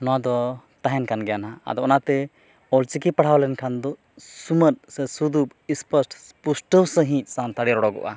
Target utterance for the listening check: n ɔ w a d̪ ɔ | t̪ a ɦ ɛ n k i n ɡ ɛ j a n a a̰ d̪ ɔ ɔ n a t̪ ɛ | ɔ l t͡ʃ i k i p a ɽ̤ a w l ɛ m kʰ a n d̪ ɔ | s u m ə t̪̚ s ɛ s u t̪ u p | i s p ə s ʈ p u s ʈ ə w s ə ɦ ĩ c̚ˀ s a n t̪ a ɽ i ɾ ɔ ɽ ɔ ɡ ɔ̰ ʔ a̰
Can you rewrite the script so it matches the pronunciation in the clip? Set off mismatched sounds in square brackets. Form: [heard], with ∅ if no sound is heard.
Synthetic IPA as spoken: n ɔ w a d̪ ɔ | t̪ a ɦ ɛ n k [a] n ɡ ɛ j a n a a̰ d̪ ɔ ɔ n a t̪ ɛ | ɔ l t͡ʃ i k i p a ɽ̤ a w l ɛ [n] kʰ a n d̪ ɔ | s u m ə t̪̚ s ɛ s u [d̪] u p | i s p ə s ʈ p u s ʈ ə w s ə ɦ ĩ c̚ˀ s a n t̪ a ɽ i ɾ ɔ ɽ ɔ ɡ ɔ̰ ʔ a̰